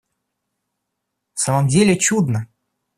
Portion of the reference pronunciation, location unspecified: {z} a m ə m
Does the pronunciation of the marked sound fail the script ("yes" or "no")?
yes